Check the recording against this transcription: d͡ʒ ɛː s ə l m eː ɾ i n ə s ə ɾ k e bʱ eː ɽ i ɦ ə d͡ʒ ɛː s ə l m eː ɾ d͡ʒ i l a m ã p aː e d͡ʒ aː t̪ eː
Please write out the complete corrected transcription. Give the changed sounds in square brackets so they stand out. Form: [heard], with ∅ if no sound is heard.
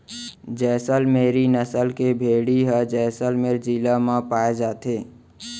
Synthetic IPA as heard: d͡ʒ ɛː s ə l m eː ɾ i n ə s ə [l] k e bʱ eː ɽ i ɦ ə d͡ʒ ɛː s ə l m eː ɾ d͡ʒ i l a m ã p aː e d͡ʒ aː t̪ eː